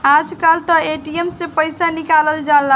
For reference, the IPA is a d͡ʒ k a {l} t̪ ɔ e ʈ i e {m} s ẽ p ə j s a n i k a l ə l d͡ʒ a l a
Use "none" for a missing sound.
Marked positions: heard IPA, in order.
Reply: l, m

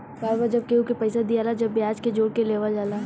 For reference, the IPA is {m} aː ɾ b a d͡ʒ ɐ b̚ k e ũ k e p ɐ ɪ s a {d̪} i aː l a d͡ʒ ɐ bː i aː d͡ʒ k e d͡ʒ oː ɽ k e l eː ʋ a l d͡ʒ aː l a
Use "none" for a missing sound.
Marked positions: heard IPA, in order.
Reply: b, d̪

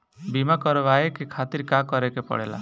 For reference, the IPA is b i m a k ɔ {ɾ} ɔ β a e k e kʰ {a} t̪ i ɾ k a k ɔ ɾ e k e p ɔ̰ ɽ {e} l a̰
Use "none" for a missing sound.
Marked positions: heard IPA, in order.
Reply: ɾ, a, e

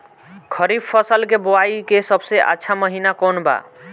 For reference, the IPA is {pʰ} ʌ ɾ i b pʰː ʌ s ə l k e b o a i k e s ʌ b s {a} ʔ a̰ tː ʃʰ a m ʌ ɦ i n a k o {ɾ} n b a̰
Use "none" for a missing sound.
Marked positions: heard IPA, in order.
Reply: kʰ, e, none

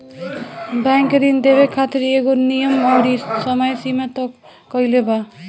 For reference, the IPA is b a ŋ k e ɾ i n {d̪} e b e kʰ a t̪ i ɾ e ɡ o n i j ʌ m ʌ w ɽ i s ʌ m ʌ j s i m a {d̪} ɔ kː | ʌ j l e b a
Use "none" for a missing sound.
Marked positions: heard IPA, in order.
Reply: d̪, t̪

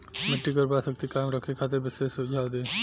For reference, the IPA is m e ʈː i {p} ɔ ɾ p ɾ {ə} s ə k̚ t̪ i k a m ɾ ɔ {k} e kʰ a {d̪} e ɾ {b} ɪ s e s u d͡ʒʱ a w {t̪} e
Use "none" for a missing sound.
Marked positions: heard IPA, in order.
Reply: k, a, kʰ, t̪, b, d̪

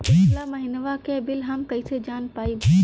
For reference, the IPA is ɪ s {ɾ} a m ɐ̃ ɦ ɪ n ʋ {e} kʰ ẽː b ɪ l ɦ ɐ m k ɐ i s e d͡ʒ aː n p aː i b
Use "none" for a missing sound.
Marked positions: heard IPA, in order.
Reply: l, a

